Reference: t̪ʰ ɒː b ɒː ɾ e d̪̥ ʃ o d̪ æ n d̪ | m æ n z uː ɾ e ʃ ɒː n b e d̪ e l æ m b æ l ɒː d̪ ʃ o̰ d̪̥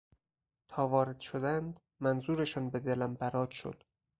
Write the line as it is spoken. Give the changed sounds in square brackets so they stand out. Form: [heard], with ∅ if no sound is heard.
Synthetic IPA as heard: t̪ʰ ɒː [v] ɒː ɾ e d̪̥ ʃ o d̪ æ n d̪ | m æ n z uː ɾ e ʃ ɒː n b e d̪ e l æ m b æ [ɾ] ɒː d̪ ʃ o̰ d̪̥